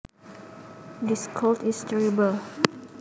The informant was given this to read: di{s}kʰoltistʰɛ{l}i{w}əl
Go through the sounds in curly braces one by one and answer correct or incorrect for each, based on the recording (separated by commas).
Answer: correct, incorrect, incorrect